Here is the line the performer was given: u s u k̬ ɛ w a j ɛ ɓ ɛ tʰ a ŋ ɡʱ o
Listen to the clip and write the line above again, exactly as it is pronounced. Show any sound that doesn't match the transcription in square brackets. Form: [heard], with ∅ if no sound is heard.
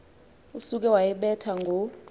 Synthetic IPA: u s u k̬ ɛ w a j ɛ ɓ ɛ tʰ a ŋ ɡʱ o